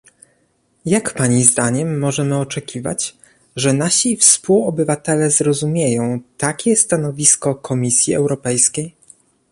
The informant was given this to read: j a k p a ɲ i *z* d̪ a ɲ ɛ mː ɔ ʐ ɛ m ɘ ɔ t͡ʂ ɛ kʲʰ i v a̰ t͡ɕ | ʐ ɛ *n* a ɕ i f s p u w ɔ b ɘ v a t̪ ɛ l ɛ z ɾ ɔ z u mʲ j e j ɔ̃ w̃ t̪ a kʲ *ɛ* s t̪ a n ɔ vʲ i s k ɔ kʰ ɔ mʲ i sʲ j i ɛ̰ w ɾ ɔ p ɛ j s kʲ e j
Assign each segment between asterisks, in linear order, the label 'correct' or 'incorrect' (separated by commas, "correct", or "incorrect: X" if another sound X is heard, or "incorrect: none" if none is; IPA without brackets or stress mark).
correct, correct, correct